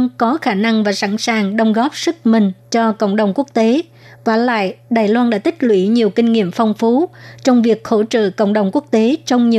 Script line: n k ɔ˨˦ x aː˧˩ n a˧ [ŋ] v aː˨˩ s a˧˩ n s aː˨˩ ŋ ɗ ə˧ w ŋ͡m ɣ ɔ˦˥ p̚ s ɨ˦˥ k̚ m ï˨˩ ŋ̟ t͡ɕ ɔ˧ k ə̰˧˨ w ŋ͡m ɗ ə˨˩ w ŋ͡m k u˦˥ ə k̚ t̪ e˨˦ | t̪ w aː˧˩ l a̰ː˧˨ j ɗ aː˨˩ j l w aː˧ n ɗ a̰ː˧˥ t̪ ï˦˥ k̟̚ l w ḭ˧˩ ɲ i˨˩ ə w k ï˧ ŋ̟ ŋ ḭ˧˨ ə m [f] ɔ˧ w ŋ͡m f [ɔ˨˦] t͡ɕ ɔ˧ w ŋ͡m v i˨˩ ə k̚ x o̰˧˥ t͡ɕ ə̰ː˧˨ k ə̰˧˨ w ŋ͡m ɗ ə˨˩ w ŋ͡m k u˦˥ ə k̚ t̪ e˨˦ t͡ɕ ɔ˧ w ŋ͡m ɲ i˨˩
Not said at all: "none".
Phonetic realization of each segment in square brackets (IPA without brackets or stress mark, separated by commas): ŋ, f, u˨˦